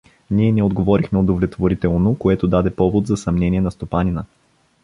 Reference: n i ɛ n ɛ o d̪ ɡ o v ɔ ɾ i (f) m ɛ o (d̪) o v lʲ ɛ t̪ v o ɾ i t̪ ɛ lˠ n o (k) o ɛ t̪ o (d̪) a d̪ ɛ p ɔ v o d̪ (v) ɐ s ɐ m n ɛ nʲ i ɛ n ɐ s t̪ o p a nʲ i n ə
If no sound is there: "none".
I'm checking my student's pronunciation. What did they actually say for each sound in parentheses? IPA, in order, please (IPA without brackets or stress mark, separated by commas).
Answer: x, d̪, k, d̪, z